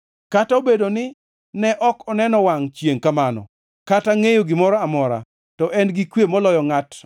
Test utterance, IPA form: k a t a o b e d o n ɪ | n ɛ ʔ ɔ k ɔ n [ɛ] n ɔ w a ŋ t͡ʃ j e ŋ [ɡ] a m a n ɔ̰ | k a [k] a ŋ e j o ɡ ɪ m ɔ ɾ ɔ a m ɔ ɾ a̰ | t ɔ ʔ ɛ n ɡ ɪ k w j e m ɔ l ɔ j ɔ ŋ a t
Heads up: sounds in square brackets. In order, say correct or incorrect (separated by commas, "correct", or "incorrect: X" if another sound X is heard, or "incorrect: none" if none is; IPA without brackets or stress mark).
correct, incorrect: k, incorrect: t